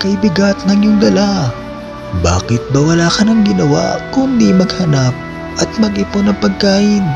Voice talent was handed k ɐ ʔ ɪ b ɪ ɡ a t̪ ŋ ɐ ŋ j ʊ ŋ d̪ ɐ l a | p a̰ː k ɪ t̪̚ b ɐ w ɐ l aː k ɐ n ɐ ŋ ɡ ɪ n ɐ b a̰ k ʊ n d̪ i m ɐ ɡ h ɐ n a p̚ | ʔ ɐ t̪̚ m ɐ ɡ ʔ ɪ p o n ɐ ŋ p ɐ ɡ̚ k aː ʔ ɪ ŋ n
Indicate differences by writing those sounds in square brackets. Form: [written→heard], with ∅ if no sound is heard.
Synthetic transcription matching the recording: k ɐ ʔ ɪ b ɪ ɡ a t̪ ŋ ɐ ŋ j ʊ ŋ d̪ ɐ l a | [p→b] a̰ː k ɪ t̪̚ b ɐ w ɐ l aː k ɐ n ɐ ŋ ɡ ɪ n ɐ [b→w] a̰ k ʊ n d̪ i m ɐ ɡ h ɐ n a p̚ | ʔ ɐ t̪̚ m ɐ ɡ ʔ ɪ p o n ɐ ŋ p ɐ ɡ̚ k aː ʔ ɪ [ŋ→∅] n